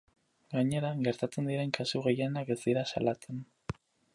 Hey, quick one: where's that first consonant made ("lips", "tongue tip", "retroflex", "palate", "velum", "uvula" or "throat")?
velum